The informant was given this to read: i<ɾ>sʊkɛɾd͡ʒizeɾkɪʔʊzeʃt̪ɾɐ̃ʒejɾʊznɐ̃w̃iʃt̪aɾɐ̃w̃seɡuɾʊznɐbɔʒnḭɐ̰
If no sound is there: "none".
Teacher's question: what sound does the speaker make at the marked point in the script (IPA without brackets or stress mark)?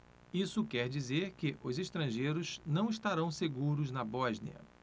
none